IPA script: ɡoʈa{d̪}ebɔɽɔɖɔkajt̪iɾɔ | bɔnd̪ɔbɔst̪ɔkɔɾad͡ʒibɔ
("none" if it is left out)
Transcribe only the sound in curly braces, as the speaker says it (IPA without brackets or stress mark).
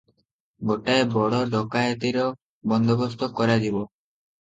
none